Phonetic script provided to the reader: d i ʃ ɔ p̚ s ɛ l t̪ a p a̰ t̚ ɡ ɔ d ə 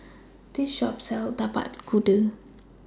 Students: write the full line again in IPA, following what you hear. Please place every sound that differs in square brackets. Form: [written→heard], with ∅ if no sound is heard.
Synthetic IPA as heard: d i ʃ ɔ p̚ s ɛ l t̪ a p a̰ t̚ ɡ [ɔ→u] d ə